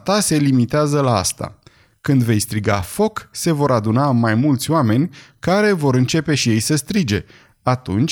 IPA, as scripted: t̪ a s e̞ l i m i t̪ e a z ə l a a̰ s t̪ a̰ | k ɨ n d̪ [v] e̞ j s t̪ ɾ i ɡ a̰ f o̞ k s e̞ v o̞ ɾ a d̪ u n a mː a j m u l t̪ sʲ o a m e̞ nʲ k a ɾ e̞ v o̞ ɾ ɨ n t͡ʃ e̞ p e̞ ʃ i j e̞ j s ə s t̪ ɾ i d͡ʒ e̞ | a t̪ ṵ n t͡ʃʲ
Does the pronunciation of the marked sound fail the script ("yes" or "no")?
no